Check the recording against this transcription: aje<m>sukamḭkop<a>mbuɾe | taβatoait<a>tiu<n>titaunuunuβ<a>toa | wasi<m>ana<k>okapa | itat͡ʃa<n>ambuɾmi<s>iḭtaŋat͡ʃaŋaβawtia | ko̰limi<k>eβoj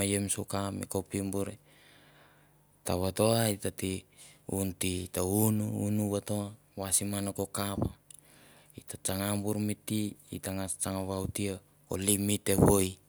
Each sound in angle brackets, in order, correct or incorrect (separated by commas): correct, incorrect, correct, correct, correct, correct, correct, incorrect, incorrect, incorrect